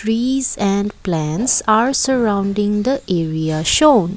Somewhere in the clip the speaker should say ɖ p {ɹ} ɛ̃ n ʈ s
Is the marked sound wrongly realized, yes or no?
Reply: yes